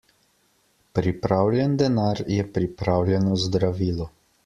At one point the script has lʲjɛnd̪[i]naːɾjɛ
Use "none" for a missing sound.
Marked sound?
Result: ɛ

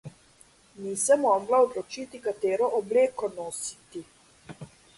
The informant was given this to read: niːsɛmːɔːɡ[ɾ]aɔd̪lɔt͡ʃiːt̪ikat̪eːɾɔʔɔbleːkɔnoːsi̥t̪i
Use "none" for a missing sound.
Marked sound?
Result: l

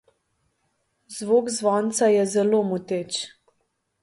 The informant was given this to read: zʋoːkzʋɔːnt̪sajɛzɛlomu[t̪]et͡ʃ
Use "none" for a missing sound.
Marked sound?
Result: t̪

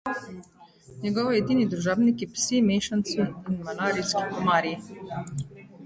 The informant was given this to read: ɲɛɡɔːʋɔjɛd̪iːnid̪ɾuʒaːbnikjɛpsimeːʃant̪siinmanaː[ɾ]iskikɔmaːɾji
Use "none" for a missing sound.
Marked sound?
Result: ɾ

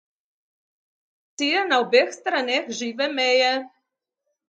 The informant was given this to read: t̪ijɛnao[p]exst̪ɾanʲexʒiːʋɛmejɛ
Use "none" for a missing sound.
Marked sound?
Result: b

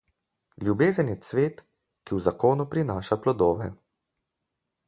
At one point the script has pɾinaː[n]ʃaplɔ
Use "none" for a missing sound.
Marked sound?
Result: none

